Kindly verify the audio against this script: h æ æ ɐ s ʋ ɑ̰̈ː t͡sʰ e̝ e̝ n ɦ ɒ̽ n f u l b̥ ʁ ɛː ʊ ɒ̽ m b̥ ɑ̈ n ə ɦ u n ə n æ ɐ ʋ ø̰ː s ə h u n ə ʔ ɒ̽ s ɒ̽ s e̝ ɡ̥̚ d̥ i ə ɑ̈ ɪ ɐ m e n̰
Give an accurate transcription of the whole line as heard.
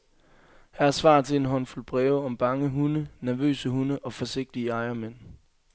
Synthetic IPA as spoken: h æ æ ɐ s ʋ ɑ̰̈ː t͡sʰ e̝ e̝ n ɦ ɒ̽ n f u l b̥ ʁ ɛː ʊ ɒ̽ m b̥ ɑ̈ ŋ ə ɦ u n ə n æ ɐ ʋ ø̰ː s ə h u n ə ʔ ɒ̽ f ɒ̽ s e̝ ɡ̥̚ d̥ i ə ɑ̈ ɪ ɐ m e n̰